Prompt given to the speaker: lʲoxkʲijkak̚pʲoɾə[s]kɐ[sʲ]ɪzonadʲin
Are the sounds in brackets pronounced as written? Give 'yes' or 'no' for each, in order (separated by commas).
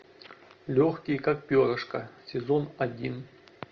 no, yes